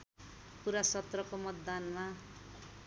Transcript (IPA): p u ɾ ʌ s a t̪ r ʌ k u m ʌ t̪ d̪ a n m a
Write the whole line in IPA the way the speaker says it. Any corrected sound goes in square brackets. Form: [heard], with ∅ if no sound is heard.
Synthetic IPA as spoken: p u ɾ [a] s [ʌ] t̪ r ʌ k [o] m ʌ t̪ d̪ a n m a